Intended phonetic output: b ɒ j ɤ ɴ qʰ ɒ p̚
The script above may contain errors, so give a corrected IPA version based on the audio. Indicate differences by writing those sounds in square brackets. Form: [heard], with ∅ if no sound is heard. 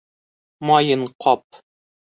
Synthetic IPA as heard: [m] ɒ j ɤ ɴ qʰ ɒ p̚